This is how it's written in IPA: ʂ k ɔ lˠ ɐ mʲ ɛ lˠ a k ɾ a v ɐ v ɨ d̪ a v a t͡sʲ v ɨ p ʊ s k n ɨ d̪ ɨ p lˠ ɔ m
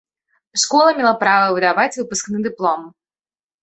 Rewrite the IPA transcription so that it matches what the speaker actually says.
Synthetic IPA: ʂ k ɔ lˠ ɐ mʲ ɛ lˠ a p ɾ a v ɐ v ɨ d̪ a v a t͡sʲ v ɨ p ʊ s k n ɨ d̪ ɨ p lˠ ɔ m